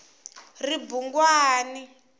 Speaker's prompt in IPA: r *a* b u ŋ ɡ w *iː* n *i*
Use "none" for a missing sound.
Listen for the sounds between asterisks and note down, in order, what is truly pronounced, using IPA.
i, aː, i

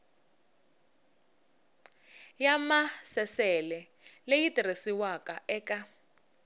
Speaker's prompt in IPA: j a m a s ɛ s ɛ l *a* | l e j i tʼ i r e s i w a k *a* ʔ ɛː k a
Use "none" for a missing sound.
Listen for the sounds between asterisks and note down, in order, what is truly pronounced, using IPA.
ɛ, a

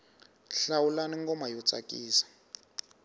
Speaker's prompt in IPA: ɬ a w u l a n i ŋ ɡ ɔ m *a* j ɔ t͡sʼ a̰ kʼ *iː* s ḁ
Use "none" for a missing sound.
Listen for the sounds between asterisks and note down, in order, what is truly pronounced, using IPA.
a, iː

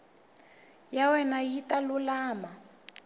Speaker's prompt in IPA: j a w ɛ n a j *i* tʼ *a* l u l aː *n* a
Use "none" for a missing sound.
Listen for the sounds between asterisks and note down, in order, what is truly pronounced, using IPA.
i, a, m

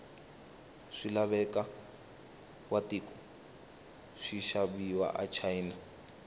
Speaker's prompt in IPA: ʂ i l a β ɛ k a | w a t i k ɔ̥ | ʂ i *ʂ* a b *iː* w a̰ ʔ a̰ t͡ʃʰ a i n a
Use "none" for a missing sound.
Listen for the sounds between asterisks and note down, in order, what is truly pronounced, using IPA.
ʃ, i

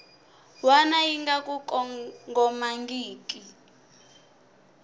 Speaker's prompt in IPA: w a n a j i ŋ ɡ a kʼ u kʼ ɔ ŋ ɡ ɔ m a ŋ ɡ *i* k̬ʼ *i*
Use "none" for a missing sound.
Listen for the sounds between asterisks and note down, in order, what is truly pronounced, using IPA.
iː, i

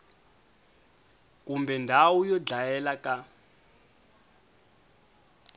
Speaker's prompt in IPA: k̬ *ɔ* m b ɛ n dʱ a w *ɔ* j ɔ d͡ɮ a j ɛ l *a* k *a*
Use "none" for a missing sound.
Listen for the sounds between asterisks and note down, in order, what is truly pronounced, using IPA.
u, u, a, a

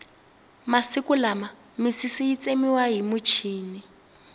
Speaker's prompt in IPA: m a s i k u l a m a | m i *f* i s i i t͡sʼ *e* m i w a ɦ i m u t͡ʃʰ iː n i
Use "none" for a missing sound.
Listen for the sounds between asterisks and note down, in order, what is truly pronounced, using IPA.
s, e

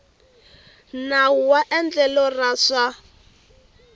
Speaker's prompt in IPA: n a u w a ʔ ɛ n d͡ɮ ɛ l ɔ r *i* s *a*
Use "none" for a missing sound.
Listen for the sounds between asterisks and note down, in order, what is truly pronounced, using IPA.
a, a

